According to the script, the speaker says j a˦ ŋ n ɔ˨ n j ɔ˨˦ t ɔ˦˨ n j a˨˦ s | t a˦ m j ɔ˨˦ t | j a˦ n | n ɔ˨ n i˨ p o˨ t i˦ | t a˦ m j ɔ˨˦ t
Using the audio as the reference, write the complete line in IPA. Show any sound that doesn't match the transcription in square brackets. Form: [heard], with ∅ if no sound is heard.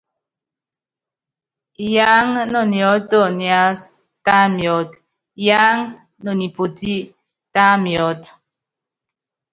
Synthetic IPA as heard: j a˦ ŋ n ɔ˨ n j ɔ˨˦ t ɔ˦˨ n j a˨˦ s | t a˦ m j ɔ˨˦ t | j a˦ [ŋ] | n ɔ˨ n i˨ p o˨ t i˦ | t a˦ m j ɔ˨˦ t